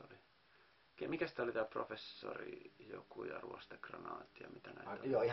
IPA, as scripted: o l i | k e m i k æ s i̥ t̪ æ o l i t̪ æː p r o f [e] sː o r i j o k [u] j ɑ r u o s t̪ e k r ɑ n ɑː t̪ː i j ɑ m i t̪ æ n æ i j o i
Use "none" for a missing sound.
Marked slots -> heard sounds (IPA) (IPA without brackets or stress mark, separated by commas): e, u